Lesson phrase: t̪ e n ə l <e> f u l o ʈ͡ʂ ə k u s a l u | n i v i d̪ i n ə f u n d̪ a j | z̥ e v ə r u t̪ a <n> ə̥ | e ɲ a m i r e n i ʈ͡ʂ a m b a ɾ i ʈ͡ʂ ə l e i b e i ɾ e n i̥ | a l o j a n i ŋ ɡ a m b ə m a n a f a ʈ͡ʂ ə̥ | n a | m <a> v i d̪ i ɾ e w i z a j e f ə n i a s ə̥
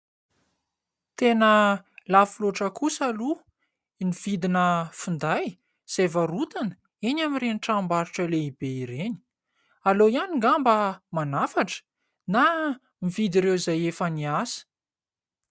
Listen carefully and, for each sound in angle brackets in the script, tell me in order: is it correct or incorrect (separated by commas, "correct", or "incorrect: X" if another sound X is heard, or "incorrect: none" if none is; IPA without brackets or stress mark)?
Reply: incorrect: a, correct, incorrect: i